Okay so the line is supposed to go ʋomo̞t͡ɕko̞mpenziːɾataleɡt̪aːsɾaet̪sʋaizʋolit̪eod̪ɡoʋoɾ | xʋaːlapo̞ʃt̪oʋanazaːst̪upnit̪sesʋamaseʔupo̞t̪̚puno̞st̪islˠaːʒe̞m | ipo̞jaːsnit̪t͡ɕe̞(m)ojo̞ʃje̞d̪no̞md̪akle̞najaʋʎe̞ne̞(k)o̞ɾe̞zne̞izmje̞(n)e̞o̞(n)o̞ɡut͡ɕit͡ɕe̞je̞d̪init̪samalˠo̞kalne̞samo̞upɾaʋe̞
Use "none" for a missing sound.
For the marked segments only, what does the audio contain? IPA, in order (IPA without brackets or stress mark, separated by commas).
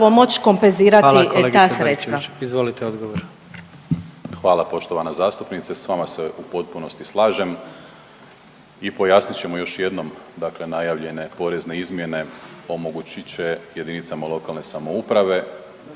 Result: m, p, n, m